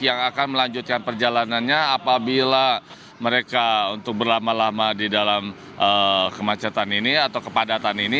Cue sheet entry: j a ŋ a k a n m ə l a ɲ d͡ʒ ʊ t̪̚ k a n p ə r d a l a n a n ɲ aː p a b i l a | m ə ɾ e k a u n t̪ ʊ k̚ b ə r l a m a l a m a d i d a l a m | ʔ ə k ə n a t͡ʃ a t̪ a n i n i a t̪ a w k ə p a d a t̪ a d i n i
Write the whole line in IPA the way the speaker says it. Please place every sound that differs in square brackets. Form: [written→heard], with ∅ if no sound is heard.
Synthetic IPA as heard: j a ŋ a k a n m ə l a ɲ d͡ʒ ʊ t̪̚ k a n p ə r [d→d͡ʒ] a l a n a n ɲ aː p a b i l a | m ə ɾ e k a u n t̪ ʊ k̚ b ə r l a m a l a m a d i d a l a m | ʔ ə k ə [n→m] a t͡ʃ a t̪ a n i n i a t̪ a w k ə p a d a t̪ a [d→n] i n i

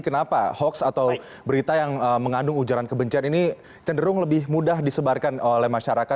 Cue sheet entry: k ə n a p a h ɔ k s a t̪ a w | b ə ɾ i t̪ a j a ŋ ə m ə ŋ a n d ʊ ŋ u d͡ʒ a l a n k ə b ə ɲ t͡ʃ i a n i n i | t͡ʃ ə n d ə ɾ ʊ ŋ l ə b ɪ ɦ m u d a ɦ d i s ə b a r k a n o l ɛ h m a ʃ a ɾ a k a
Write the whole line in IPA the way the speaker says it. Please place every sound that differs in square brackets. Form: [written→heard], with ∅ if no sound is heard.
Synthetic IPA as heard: k ə n a p a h ɔ k s a t̪ a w | b ə ɾ i t̪ a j a ŋ ə m ə ŋ a n d ʊ ŋ u d͡ʒ a [l→ɾ] a n k ə b ə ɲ t͡ʃ i a n i n i | t͡ʃ ə n d ə ɾ ʊ ŋ l ə b ɪ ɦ m u d a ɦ d i s ə b a r k a n o l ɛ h m a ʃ a ɾ a k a

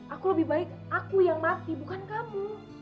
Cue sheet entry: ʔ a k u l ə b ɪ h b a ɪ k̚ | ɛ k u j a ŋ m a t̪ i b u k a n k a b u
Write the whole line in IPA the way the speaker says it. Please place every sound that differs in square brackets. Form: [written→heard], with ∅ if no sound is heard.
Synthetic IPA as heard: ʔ a k u l ə b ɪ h b a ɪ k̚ | [ɛ→a] k u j a ŋ m a t̪ i b u k a n k a [b→m] u

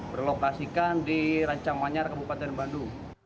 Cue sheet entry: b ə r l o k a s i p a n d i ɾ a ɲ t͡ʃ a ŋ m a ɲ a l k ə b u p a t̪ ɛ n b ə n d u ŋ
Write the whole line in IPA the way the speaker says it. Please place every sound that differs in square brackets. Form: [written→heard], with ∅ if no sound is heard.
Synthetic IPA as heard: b ə r l o k a s i [p→k] a n d i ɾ a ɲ t͡ʃ a ŋ m a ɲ a [l→r] k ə b u p a t̪ ɛ n b [ə→a] n d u ŋ

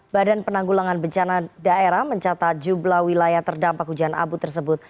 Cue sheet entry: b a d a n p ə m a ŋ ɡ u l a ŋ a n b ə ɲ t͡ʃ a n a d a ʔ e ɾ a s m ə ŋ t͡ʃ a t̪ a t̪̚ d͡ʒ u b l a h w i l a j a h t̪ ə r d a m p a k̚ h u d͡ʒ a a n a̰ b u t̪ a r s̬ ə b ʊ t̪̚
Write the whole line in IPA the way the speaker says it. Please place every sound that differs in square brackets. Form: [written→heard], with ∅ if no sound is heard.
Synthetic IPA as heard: b a d a n p ə [m→n] a ŋ ɡ u l a ŋ a n b ə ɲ t͡ʃ a n a d a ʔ e ɾ a [s→h] m ə [ŋ→ɲ] t͡ʃ a t̪ a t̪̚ d͡ʒ u b l a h w i l a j a h t̪ ə r d a m p a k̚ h u d͡ʒ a a n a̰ b u t̪ [a→ə] r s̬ ə b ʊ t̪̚

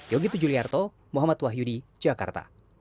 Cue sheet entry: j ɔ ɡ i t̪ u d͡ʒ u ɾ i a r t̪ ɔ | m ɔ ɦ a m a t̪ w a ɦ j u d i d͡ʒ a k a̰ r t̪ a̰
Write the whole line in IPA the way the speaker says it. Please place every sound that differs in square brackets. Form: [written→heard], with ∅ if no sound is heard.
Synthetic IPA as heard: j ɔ ɡ i t̪ u d͡ʒ u [ɾ→l] i a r t̪ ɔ | m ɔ ɦ a m a t̪ w a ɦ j u d i d͡ʒ a k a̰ r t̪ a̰

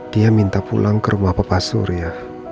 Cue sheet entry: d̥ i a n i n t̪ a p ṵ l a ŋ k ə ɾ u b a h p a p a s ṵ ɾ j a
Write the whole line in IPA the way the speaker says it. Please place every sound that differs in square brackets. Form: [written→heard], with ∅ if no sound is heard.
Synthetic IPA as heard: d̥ i a [n→m] i n t̪ a p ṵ l a ŋ k ə ɾ u [b→m] a h p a p a s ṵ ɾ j a

